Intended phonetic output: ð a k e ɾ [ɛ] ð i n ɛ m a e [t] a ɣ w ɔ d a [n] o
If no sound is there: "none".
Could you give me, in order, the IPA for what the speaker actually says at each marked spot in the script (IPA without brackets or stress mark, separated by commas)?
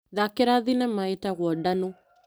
a, t, n